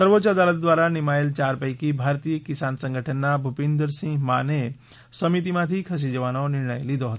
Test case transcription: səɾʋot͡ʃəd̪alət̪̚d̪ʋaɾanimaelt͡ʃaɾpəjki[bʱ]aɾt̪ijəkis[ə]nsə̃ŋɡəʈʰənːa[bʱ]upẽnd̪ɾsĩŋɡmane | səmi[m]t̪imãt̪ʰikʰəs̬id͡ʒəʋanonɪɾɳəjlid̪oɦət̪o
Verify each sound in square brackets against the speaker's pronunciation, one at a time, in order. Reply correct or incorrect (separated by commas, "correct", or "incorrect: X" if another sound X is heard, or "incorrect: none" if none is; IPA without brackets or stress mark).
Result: correct, incorrect: a, correct, incorrect: none